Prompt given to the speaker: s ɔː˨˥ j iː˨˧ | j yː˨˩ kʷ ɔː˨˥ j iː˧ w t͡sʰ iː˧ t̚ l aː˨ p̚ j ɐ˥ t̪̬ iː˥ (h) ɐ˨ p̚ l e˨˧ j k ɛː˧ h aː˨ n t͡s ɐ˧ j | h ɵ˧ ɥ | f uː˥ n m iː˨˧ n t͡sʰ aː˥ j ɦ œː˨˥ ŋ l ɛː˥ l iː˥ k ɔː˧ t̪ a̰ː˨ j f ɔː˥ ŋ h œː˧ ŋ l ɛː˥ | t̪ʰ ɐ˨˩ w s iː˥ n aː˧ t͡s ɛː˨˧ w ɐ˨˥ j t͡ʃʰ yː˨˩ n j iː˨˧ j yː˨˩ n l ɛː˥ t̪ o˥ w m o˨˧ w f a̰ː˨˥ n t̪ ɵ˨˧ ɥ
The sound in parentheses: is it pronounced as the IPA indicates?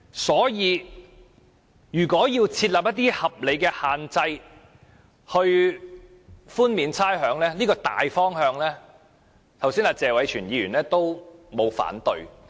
yes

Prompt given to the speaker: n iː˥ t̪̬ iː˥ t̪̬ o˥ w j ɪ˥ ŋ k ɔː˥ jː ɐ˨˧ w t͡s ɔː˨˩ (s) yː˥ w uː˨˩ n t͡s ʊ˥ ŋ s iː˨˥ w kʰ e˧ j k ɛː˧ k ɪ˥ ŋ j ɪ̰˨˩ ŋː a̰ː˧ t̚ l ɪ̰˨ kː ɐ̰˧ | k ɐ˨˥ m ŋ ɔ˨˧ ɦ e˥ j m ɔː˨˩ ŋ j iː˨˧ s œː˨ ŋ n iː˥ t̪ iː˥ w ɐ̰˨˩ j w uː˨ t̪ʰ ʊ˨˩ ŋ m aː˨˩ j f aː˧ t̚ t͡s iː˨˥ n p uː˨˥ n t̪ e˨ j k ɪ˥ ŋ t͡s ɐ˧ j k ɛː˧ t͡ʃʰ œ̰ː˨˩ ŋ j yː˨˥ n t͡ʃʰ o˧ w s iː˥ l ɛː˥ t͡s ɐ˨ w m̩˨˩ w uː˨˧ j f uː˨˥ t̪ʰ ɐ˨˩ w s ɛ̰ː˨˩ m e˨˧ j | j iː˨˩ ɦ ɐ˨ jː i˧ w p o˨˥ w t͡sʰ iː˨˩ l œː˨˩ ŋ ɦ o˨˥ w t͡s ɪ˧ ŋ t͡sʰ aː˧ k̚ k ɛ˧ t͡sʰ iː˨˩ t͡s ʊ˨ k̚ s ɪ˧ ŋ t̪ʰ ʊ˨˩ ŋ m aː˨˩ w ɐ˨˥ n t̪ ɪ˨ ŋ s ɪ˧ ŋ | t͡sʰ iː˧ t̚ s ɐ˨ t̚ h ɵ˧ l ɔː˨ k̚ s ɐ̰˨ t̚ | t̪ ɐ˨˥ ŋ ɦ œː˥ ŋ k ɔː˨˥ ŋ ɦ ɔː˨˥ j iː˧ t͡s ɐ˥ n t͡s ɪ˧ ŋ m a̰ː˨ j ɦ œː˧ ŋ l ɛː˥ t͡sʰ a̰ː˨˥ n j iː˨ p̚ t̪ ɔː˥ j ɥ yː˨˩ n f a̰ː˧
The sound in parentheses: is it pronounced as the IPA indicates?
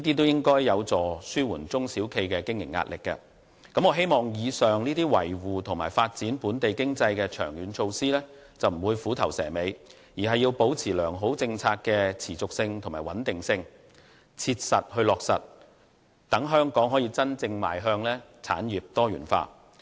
yes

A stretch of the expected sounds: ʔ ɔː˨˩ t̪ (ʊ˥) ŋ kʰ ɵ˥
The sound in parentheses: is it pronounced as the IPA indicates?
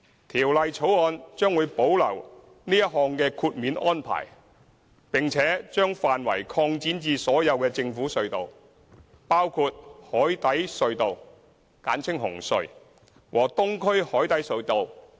yes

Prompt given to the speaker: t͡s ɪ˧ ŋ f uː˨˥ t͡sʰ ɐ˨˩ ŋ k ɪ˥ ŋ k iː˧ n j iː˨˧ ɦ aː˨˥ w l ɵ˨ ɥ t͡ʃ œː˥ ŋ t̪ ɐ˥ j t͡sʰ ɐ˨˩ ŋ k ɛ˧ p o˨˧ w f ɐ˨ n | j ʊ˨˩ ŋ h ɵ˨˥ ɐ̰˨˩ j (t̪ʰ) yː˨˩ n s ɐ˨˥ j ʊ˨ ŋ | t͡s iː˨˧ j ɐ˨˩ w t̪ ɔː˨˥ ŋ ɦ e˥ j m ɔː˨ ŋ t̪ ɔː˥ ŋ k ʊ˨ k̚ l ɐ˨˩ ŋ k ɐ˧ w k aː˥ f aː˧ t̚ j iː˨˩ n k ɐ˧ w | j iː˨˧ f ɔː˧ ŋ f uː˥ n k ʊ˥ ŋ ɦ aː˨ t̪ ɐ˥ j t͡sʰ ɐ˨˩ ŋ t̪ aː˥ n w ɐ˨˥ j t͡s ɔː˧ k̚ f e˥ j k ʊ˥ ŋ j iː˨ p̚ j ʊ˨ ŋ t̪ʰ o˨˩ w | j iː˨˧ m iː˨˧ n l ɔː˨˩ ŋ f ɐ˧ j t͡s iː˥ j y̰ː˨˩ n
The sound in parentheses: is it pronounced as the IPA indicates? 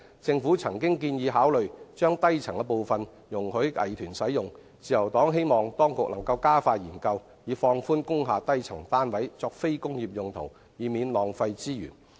yes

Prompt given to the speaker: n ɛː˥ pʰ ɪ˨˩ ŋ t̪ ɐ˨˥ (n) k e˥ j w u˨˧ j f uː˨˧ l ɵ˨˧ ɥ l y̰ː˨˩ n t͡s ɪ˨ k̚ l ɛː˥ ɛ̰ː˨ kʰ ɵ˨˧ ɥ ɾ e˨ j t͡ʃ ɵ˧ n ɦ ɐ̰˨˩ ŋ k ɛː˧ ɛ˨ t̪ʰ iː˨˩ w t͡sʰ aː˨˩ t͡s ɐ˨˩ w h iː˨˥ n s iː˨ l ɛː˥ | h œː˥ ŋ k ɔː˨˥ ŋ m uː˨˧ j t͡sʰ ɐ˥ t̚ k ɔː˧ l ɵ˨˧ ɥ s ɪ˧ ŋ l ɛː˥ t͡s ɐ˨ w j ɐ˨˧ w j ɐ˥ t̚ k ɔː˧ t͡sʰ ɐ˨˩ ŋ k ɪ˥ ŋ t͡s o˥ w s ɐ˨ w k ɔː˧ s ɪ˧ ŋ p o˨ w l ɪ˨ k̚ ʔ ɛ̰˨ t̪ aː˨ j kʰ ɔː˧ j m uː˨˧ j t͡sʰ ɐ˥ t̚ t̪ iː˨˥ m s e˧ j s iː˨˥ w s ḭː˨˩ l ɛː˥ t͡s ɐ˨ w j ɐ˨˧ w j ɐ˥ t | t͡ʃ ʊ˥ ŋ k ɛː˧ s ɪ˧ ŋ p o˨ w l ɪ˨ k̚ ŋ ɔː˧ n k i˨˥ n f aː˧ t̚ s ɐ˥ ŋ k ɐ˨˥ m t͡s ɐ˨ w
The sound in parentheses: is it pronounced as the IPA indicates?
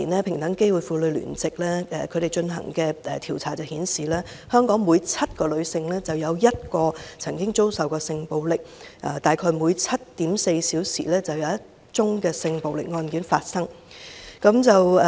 no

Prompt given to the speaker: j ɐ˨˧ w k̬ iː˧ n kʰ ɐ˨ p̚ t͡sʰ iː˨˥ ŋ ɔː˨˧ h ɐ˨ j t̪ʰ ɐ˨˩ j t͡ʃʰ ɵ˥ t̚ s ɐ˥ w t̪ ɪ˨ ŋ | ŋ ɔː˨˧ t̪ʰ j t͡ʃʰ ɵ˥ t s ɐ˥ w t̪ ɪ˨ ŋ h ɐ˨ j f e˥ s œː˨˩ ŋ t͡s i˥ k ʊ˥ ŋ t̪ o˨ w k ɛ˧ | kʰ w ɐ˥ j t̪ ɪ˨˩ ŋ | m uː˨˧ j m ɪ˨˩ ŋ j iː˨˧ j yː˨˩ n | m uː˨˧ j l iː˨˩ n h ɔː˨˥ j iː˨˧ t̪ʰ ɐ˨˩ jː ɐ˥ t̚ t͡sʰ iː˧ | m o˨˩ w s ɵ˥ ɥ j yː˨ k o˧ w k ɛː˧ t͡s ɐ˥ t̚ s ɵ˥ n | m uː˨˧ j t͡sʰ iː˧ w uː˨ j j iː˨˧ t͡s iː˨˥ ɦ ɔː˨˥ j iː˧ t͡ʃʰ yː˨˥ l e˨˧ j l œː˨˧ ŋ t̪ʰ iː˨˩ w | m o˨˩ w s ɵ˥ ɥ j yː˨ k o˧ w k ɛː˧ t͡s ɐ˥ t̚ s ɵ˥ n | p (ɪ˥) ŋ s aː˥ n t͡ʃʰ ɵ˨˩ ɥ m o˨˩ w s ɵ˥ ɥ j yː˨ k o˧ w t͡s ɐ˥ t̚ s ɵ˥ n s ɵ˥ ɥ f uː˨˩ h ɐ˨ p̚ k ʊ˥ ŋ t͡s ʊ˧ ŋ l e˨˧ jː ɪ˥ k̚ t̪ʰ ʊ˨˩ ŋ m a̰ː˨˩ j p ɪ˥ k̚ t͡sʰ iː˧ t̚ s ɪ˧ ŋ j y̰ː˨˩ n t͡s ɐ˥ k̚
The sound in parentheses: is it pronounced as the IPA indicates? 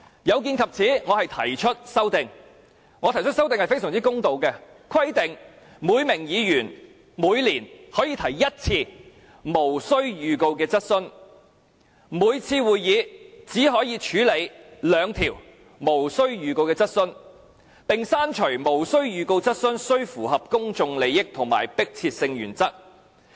no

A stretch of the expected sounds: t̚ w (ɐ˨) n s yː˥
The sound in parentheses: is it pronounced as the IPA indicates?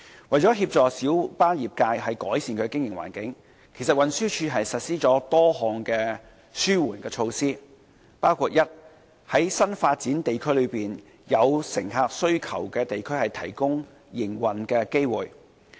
yes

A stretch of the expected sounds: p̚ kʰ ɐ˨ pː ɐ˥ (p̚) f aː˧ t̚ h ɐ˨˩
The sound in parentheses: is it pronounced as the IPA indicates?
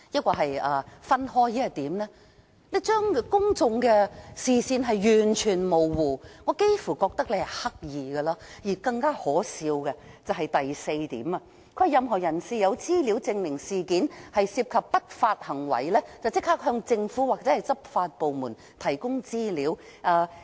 no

